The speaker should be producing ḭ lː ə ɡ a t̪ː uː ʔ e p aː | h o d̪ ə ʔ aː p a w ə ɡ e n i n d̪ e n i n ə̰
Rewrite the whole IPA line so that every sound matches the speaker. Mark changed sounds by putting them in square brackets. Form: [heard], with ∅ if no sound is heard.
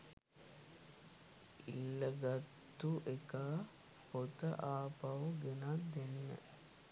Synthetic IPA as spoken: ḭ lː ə ɡ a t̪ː [u] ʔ e [k] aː | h o [t̪] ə ʔ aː p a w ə ɡ e n [a] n d̪ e n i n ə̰